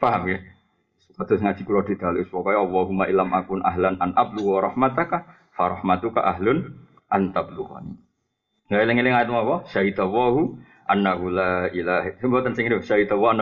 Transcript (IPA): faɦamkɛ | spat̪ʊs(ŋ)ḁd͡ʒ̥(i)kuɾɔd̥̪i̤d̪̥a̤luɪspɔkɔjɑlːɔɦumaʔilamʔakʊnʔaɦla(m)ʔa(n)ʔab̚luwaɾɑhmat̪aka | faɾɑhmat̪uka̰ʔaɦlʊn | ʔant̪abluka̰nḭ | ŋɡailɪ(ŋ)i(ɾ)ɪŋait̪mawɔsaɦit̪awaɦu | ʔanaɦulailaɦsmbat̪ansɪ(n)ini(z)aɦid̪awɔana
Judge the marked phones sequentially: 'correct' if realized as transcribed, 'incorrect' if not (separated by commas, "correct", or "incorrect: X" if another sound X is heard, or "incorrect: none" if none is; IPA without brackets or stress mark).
correct, correct, incorrect: n, correct, correct, incorrect: l, incorrect: ŋ, incorrect: s